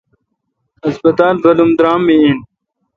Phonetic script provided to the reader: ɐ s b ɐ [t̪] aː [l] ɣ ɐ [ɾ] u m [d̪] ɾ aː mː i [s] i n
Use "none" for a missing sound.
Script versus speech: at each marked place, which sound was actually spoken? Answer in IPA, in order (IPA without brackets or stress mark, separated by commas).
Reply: t̪, l, l, d̪, none